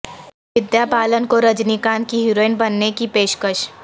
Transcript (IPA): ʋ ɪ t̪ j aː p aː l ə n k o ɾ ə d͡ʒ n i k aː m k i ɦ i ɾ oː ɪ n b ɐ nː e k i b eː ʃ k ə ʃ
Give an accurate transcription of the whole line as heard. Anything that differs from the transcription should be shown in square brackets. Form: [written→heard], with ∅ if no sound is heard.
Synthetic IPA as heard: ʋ ɪ [t̪→d̪] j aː p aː l ə n k o ɾ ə d͡ʒ n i k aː [m→n] k i ɦ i ɾ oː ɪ n b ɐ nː e k i [b→p] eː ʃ k ə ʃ